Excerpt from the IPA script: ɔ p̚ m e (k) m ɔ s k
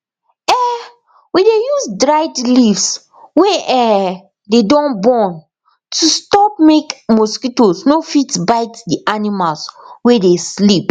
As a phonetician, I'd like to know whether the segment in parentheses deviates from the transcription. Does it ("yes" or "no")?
no